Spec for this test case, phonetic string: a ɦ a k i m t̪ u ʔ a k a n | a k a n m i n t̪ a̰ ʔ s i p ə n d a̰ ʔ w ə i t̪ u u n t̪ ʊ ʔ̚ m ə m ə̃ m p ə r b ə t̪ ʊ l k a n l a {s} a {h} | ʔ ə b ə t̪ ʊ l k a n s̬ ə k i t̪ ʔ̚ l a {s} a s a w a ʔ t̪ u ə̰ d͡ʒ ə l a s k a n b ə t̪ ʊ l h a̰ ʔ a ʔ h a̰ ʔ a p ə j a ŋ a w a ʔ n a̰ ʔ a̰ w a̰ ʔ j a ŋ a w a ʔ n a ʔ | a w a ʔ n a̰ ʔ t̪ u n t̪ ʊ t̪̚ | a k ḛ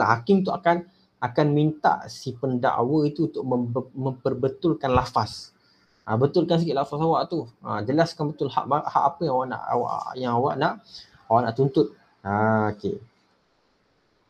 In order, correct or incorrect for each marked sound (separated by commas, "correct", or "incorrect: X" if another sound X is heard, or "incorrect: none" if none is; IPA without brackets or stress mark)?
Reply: incorrect: f, incorrect: s, incorrect: f